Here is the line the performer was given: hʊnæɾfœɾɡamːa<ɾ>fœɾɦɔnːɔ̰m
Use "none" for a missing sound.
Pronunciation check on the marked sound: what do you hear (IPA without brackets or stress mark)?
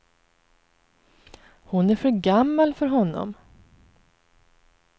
l